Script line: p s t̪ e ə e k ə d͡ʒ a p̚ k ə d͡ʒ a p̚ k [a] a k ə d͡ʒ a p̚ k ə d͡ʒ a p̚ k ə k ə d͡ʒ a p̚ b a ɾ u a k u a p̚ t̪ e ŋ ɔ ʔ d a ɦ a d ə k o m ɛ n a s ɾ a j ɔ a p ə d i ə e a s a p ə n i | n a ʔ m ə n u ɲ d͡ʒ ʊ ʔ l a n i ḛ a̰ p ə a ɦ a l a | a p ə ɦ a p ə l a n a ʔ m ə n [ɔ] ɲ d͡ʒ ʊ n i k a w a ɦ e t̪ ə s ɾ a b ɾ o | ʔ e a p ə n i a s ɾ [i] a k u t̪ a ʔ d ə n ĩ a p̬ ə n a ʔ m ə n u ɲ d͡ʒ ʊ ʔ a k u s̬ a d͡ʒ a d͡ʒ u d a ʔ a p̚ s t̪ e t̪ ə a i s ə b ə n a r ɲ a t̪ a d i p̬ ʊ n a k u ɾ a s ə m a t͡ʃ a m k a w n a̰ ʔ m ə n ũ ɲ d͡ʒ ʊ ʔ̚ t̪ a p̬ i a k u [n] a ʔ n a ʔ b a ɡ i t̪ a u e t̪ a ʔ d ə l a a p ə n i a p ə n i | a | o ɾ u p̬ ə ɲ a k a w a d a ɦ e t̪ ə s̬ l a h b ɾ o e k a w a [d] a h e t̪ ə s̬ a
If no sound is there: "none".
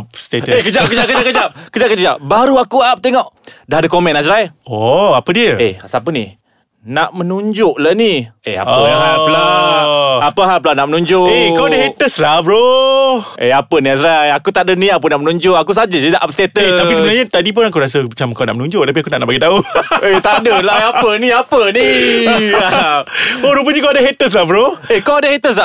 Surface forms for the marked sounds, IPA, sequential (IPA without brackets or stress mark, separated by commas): ə, u, a, n, d